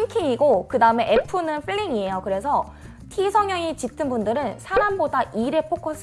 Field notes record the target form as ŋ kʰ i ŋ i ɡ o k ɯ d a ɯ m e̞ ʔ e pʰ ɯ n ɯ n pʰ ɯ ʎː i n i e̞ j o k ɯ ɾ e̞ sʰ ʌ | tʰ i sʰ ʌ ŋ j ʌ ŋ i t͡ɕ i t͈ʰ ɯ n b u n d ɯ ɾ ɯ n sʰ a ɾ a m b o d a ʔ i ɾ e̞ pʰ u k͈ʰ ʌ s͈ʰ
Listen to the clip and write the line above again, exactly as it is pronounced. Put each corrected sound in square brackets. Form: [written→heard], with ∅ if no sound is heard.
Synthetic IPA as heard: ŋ kʰ i ŋ i ɡ o k ɯ d a ɯ m e̞ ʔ e pʰ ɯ n ɯ n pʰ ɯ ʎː i [n→ŋ] i e̞ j o k ɯ ɾ e̞ sʰ ʌ | tʰ i sʰ ʌ ŋ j ʌ ŋ i t͡ɕ i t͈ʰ ɯ n b u n d ɯ ɾ ɯ n sʰ a ɾ a m b o d a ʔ i ɾ e̞ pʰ [u→o] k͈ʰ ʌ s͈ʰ